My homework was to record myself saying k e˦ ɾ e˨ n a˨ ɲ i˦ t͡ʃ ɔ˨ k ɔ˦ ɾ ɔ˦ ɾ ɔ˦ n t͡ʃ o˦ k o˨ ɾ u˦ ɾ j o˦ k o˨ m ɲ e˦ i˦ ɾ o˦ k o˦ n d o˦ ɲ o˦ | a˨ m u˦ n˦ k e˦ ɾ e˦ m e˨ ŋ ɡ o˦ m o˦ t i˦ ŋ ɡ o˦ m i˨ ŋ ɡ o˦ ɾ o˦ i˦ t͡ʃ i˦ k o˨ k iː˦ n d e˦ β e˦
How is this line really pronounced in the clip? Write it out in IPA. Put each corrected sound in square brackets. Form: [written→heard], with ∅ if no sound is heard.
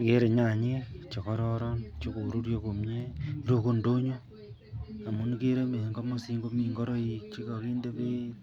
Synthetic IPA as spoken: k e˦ ɾ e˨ [n→ɲ] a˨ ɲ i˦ t͡ʃ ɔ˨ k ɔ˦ ɾ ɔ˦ ɾ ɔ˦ n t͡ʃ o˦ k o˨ ɾ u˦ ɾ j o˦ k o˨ m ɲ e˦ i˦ ɾ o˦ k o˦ n d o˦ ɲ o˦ | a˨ m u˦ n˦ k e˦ ɾ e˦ m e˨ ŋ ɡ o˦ m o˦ [t→s] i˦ ŋ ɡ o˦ m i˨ ŋ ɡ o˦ ɾ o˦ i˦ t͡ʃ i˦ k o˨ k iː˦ n d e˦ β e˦